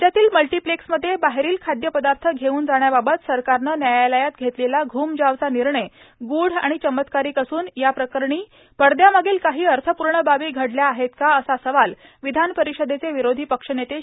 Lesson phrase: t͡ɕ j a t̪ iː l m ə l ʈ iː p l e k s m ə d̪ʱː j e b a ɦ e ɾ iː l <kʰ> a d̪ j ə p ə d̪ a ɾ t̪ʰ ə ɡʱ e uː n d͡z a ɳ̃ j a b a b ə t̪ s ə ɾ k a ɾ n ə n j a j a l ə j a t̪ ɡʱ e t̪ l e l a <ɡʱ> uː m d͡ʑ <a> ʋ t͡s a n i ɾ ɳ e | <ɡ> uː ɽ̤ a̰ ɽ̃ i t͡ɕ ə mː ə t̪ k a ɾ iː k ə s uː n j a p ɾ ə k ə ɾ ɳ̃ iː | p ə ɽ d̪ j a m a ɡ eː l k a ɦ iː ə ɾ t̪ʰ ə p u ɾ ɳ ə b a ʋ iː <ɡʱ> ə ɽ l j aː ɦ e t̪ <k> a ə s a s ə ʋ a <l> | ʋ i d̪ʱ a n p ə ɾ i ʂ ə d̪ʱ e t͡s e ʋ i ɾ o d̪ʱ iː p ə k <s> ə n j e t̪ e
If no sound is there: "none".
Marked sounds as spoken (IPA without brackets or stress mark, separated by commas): kʰ, ɡʱ, a, ɡ, ɡʱ, k, l, ʂ